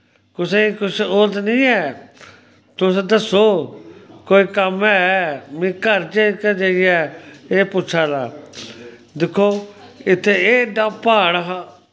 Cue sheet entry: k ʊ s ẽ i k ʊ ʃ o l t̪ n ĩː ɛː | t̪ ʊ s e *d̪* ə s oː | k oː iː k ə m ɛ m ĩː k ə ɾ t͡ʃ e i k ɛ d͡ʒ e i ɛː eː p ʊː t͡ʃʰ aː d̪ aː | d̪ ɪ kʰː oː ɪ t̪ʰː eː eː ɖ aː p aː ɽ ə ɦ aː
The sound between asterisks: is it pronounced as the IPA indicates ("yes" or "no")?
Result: yes